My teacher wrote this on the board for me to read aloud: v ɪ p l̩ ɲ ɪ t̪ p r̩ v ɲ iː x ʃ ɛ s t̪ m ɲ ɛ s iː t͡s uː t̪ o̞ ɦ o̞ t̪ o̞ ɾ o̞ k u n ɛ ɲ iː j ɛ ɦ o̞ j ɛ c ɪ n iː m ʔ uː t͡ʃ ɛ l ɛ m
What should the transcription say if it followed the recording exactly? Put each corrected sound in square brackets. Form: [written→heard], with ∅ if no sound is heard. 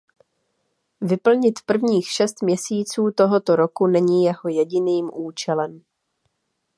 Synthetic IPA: v ɪ p l̩ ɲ ɪ t̪ p r̩ v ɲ iː x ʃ ɛ s t̪ m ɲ ɛ s iː t͡s uː t̪ o̞ ɦ o̞ t̪ o̞ ɾ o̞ k u n ɛ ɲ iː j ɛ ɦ o̞ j ɛ [c→ɟ] ɪ n iː m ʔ uː t͡ʃ ɛ l ɛ m